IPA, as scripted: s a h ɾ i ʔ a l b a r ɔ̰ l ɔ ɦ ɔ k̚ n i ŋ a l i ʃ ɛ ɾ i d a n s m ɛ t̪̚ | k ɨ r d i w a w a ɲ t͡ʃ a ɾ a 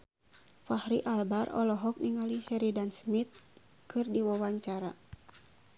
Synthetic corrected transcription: f a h ɾ i ʔ a l b a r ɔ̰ l ɔ ɦ ɔ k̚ n i ŋ a l i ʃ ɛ ɾ i d a n s m i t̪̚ | k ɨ r d i w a w a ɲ t͡ʃ a ɾ a